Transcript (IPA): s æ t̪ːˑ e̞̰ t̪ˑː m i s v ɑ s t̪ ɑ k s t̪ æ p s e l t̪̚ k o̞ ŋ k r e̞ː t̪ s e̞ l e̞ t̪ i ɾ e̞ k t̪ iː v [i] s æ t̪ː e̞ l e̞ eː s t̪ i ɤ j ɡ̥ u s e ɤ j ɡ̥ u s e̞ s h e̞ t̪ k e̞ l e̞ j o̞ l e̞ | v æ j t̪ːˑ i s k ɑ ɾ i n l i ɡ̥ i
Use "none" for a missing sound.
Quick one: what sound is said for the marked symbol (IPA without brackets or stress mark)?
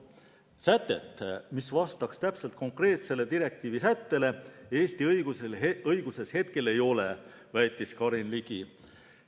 i